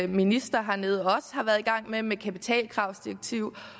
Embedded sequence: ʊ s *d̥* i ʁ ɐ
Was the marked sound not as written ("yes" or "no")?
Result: no